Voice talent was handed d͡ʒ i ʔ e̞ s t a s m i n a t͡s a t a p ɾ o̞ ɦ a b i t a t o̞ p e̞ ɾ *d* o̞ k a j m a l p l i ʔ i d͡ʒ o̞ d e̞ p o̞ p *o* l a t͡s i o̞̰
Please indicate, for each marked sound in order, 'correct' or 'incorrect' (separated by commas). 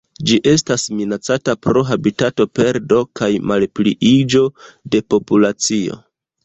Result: correct, incorrect